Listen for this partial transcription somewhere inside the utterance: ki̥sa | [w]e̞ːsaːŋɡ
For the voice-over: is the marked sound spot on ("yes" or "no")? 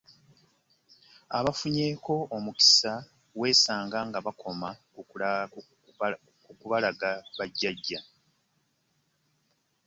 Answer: yes